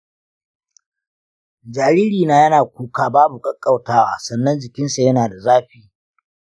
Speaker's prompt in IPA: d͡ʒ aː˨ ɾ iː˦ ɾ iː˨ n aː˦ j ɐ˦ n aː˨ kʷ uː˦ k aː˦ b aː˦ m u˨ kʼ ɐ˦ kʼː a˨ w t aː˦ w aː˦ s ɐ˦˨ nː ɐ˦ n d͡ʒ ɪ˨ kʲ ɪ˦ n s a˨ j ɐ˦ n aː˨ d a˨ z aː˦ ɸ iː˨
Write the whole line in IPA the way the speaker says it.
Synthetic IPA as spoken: d͡ʒ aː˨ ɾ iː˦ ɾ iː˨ n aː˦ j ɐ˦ n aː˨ kʷ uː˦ k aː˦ b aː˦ b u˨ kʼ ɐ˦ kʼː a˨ w t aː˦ w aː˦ s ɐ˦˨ nː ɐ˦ n d͡ʒ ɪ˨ kʲ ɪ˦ n s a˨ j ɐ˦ n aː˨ d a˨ z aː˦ ɸ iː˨